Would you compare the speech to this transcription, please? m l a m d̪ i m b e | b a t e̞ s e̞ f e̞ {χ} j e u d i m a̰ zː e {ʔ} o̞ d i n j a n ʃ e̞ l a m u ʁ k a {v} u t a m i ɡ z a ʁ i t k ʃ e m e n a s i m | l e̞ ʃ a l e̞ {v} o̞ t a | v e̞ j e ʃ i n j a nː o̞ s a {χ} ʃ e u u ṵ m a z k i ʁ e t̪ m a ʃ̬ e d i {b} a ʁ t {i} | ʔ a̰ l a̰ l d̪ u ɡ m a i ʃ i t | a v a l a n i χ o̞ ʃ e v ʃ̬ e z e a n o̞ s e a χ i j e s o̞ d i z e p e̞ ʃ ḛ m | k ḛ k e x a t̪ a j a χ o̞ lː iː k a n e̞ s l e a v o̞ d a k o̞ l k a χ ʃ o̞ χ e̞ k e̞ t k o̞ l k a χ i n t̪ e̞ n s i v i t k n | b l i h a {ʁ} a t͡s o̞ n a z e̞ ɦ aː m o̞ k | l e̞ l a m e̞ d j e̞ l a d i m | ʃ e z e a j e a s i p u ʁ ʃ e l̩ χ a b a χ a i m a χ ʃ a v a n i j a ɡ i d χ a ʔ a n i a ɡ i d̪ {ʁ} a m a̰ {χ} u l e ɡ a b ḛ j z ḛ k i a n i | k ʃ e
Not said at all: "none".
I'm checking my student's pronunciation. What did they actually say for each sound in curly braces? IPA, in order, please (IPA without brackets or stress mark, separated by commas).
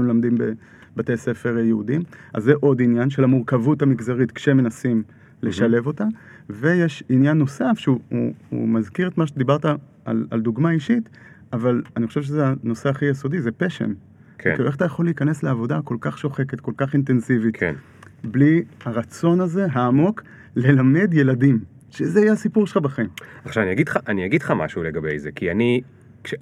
ʁ, ʔ, v, v, f, b, a, ʁ, χ, ʃ